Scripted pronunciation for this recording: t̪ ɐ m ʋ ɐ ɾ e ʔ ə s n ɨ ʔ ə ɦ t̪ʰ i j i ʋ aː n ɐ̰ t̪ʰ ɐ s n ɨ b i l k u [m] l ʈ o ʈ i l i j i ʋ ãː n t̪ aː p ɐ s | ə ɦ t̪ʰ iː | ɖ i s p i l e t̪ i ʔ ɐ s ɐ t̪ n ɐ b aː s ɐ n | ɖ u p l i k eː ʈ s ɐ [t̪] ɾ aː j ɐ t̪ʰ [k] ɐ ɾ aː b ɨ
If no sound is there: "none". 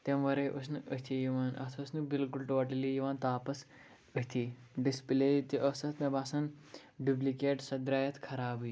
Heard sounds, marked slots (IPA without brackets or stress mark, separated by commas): none, d̪, kʰ